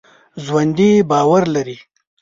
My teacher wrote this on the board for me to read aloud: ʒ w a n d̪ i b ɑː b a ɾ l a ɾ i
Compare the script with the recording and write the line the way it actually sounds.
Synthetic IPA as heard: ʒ w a n d̪ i b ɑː w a ɾ l a ɾ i